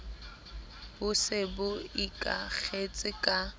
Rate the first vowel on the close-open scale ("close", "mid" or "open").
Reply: close